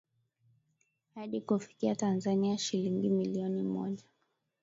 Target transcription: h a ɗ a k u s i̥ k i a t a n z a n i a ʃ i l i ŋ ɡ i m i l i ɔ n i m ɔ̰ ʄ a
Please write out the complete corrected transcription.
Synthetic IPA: h a ɗ i k u f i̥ k i a t a n z a n i a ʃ i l i ŋ ɡ i m i l i ɔ n i m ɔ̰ ʄ a